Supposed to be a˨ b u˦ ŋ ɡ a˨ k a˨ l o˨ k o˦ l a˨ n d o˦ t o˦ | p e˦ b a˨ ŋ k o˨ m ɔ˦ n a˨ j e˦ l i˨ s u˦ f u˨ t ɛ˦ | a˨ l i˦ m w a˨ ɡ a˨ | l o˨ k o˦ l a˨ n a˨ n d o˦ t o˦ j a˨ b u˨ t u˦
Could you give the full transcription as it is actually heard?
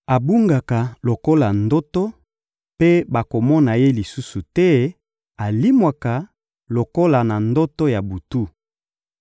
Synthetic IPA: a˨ b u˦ ŋ ɡ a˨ k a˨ l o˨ k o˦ l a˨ n d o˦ t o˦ | p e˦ b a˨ k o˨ m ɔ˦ n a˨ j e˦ l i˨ s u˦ s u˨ t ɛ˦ | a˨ l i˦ m w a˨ k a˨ | l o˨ k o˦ l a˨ n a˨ n d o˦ t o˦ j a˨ b u˨ t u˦